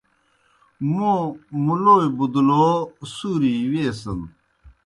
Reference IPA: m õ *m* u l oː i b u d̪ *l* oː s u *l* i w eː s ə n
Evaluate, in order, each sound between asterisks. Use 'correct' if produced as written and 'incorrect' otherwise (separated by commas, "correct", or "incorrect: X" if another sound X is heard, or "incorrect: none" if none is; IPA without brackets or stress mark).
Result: correct, correct, incorrect: ɾ